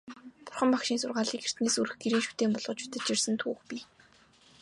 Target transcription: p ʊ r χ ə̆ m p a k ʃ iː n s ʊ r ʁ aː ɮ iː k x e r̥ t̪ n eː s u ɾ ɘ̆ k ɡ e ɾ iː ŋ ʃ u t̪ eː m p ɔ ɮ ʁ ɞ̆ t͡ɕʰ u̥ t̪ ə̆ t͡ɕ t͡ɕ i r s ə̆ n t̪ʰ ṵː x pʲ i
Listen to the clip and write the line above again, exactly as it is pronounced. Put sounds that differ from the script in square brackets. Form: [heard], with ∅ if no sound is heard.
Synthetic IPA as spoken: p ʊ r χ ə̆ m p a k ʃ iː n s ʊ r ʁ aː ɮ iː k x e r̥ t̪ n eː s u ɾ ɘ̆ [x] ɡ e ɾ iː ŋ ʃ u t̪ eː m p ɔ ɮ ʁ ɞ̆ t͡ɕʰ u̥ t̪ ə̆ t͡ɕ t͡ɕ i r s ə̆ n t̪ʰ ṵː x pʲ i